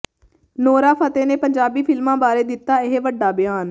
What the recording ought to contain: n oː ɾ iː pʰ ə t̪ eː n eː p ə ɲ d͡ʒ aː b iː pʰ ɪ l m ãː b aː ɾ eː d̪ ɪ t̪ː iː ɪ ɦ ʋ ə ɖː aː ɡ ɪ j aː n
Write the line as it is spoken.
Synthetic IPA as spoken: n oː ɾ aː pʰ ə t̪ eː n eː p ə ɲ d͡ʒ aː b iː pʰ ɪ l m ãː b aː ɾ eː d̪ ɪ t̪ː aː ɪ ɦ ʋ ə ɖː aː b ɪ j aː n